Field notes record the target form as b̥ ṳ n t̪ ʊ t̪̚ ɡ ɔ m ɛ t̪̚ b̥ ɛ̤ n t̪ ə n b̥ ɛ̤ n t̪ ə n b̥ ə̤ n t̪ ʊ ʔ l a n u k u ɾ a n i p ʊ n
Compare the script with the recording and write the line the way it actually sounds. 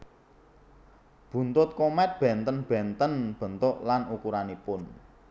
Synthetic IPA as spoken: b̥ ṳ n t̪ ʊ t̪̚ k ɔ m ɛ t̪̚ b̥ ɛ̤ n t̪ ə n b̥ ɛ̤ n t̪ ə n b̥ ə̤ n t̪ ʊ ʔ l a n u k u ɾ a n i p ʊ n